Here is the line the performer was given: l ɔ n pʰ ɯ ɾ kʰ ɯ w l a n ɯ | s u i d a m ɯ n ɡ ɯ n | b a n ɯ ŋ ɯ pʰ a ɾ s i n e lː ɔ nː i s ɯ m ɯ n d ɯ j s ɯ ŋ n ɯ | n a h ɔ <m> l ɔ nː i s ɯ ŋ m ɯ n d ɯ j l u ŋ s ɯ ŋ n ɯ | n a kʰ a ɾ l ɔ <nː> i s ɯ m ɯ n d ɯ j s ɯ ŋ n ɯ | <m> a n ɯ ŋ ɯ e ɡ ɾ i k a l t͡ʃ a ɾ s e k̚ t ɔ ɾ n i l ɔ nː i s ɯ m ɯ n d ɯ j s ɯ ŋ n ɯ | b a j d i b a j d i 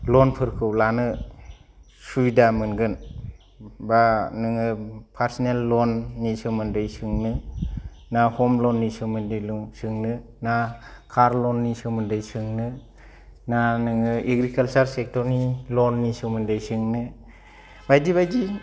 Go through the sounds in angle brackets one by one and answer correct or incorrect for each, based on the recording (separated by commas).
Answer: correct, correct, incorrect